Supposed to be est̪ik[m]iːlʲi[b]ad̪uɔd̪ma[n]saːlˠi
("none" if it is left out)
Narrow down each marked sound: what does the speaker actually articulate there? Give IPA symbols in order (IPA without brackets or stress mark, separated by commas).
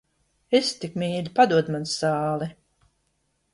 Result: m, p, n